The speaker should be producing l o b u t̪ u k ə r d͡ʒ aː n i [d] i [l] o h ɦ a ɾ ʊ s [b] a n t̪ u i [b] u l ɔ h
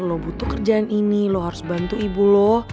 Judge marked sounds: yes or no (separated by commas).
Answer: no, yes, yes, yes